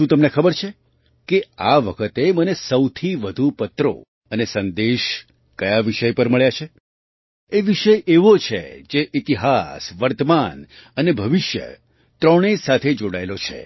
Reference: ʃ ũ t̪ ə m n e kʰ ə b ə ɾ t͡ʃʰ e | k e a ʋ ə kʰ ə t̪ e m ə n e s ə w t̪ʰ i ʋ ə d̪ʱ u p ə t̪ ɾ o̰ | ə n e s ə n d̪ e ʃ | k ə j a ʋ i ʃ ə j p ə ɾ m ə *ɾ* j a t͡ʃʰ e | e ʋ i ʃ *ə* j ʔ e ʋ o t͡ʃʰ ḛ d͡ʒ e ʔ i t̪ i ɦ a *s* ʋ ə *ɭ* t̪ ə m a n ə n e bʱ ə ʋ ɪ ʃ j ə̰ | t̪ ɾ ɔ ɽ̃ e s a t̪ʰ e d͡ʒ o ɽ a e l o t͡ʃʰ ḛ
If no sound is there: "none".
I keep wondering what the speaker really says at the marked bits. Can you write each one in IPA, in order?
ɭ, ə, s, ɾ

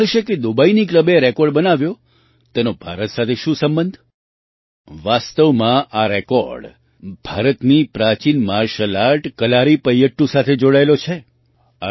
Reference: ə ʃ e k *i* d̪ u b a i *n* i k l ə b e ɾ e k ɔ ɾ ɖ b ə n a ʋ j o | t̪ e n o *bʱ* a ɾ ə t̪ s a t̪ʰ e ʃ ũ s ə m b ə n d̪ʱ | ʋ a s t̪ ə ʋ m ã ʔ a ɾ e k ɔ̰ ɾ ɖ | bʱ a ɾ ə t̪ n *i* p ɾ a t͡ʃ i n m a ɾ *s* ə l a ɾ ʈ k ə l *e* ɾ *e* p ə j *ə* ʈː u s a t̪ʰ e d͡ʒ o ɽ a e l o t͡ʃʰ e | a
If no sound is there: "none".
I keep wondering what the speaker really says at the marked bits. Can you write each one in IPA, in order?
e, n, bʱ, i, ʃ, a, i, ə

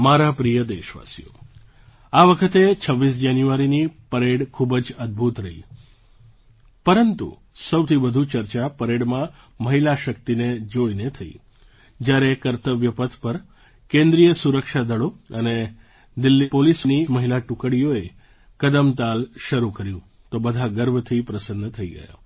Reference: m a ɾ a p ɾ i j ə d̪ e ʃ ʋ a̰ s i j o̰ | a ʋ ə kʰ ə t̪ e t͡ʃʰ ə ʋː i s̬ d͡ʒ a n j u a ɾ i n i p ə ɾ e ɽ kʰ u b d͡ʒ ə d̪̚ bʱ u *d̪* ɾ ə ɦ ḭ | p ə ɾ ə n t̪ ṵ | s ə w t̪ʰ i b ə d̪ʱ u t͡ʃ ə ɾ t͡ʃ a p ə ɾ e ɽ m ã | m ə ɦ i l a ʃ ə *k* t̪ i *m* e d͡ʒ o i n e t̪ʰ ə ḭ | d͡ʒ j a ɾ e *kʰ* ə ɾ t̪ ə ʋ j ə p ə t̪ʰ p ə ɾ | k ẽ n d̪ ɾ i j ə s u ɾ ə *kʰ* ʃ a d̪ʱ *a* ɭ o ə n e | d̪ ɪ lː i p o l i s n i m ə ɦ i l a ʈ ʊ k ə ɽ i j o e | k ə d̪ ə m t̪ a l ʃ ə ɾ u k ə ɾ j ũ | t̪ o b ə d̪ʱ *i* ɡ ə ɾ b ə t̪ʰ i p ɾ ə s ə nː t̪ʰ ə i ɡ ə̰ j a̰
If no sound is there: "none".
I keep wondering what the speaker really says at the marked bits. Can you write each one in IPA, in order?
t̪, k, n, k, k, ə, a

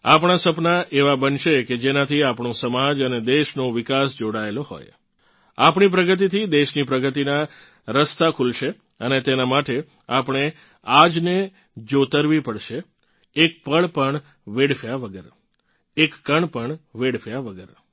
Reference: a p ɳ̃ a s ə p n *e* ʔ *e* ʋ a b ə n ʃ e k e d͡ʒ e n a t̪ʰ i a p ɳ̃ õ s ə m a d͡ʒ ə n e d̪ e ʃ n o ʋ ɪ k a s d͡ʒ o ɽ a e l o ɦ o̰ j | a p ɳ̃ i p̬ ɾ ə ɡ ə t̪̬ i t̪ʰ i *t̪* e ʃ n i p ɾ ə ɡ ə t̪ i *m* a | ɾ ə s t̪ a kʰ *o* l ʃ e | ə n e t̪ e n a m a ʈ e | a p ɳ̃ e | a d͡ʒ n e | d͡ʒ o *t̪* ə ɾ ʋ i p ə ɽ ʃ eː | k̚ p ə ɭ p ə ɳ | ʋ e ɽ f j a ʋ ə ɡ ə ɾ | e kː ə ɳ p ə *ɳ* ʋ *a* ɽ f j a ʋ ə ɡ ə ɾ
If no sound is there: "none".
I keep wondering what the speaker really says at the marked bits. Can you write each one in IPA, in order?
a, e, d̪, n, u, t̪, ɳ, e

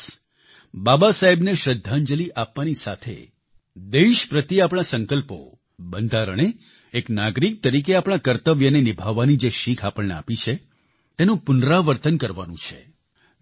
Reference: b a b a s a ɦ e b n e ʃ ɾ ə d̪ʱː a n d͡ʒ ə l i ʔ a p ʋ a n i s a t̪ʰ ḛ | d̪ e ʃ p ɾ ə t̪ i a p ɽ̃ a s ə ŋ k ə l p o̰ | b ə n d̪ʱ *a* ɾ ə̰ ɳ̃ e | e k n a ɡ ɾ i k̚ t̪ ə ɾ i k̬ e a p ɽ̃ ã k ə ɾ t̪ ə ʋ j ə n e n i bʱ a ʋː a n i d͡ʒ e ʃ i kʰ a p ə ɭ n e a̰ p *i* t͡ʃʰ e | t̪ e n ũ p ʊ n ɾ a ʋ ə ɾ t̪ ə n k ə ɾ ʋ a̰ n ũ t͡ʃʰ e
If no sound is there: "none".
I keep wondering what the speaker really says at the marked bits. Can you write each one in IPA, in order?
a, i

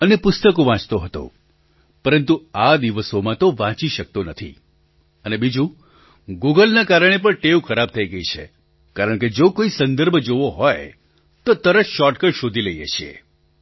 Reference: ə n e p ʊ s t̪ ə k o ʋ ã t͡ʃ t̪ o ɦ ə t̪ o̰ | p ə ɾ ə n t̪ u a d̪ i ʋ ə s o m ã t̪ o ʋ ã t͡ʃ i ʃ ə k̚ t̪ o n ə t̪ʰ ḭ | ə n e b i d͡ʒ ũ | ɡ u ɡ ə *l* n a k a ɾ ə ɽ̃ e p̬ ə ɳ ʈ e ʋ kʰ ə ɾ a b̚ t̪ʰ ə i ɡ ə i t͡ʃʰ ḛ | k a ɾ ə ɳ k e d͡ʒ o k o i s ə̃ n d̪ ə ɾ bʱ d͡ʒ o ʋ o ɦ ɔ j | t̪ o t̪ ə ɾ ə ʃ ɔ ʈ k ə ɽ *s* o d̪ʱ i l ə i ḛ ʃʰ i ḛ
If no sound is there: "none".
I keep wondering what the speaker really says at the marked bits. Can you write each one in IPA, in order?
l, ʃ

